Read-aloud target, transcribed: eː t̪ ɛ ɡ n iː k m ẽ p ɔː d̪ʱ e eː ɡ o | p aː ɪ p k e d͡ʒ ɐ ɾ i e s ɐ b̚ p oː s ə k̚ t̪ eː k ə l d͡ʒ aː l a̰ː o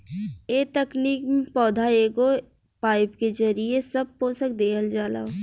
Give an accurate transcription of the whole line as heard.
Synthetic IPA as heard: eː t̪ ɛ k n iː k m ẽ p ɔː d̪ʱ a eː ɡ o | p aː ɪ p k e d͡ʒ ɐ ɾ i e s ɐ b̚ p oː s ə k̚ d̪ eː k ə l d͡ʒ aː l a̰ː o

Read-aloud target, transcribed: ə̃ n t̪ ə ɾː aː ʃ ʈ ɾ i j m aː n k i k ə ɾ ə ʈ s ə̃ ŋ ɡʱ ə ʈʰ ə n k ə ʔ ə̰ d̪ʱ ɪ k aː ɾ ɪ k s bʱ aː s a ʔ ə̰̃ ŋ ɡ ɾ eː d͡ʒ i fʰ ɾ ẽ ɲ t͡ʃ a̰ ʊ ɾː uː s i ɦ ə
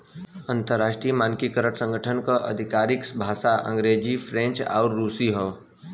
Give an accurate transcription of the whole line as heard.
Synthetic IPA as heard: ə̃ n t̪ ə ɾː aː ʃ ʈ ɾ i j m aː n k i k ə ɾ ə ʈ s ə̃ ŋ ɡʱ ə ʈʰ ə n k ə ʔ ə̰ d̪ʱ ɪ k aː ɾ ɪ k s bʱ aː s a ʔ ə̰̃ ŋ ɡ ɾ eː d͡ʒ i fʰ ɾ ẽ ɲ t͡ʃ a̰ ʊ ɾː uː s i ɦ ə

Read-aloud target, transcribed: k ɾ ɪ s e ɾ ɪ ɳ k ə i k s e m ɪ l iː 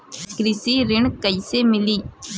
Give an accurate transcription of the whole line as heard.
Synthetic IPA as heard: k ɾ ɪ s i ɾ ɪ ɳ k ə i s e m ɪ l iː

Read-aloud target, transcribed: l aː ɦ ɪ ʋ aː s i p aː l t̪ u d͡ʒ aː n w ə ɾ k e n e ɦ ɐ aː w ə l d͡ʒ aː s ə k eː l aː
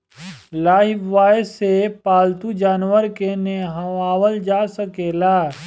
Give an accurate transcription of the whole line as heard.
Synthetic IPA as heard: l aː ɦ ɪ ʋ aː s e p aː l t̪ u d͡ʒ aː n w ə ɾ k e n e ɦ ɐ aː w ə l d͡ʒ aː s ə k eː l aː

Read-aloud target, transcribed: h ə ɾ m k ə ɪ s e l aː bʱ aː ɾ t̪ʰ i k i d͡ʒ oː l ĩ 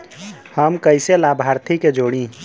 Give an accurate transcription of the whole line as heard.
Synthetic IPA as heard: h ə m k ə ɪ s e l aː bʱ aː ɾ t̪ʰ i k e d͡ʒ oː ɽ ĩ

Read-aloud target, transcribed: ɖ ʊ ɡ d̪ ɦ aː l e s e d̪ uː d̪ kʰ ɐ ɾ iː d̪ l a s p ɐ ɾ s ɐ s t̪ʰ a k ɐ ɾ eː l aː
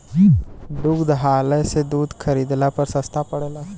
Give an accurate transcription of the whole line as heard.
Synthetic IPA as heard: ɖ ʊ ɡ d̪ ɦ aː l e s e d̪ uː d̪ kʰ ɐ ɾ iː d̪ l a p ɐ ɾ s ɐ s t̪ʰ a p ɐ ɽ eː l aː

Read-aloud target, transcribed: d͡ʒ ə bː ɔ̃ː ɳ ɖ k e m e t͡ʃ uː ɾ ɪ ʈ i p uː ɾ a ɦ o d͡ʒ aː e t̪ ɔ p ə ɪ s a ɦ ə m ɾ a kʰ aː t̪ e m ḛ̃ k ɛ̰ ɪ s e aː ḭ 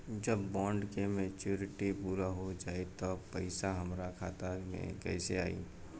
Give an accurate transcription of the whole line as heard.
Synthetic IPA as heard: d͡ʒ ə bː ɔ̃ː ɳ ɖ k e m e t͡ʃ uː ɾ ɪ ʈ i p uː ɾ a ɦ o d͡ʒ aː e t̪ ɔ p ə ɪ s a ɦ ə m ɾ a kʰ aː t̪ a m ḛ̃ k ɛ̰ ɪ s e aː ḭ

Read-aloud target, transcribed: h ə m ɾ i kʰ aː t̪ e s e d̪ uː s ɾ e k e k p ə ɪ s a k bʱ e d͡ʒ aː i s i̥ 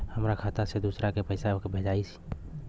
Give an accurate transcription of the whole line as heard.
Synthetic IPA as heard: h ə m ɾ a kʰ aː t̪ a s e d̪ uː s ɾ a k e p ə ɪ s a k bʱ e d͡ʒ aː i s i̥

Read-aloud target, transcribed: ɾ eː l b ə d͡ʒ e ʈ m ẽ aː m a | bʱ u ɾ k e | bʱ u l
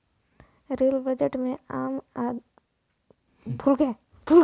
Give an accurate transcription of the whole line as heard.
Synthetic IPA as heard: ɾ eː l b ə d͡ʒ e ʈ m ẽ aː m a | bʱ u l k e | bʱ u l

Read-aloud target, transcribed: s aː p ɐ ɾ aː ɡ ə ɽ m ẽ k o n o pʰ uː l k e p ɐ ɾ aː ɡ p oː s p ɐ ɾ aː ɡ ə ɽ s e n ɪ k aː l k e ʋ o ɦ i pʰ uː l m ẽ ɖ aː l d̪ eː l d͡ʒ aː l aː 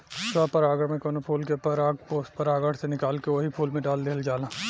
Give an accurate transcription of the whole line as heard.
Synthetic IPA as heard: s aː p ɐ ɾ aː ɡ ə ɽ m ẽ k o n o pʰ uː l k e p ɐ ɾ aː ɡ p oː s p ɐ ɾ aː ɡ ə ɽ s e n ɪ k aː l k e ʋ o ɦ i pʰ uː l m ẽ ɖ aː l d̪ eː l d͡ʒ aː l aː

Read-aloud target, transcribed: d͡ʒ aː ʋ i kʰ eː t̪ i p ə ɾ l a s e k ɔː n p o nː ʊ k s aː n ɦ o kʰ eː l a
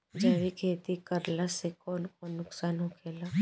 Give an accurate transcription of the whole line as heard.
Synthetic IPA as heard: d͡ʒ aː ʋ i kʰ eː t̪ i k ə ɾ l a s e k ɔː n k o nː ʊ k s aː n ɦ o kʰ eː l a

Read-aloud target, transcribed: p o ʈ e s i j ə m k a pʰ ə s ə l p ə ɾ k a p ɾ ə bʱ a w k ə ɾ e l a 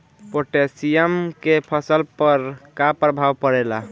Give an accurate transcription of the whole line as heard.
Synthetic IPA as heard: p o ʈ e s i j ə m k e pʰ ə s ə l p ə ɾ k a p ɾ ə bʱ a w p ə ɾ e l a

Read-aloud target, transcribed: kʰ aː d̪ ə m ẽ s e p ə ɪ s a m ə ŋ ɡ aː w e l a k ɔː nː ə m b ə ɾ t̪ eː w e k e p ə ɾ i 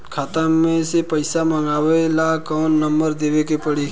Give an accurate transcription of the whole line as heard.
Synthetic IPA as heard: kʰ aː t̪ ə m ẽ s e p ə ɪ s a m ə ŋ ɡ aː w e l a k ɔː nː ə m b ə ɾ d̪ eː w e k e p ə ɽ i

